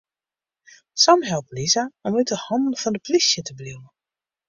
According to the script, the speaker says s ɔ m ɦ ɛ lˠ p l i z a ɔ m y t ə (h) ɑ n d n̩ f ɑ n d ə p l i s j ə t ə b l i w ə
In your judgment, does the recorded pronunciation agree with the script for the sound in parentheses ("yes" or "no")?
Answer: yes